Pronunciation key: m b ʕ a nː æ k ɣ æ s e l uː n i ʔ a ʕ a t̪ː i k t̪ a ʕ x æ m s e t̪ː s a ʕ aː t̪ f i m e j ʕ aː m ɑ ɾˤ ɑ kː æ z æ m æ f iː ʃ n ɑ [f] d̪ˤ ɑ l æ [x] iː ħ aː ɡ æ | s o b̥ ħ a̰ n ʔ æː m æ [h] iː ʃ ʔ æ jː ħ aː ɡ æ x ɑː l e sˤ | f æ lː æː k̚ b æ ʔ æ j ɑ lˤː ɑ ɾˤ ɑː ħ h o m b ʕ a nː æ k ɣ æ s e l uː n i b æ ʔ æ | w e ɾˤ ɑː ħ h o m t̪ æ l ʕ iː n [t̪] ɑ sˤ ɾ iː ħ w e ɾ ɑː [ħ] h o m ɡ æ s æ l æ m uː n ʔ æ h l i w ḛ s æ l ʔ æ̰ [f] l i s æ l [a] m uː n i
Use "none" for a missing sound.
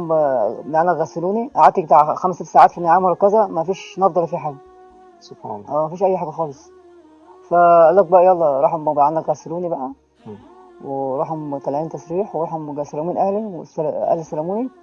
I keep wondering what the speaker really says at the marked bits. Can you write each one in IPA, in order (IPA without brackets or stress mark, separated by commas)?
f, f, f, t̪, ħ, h, æ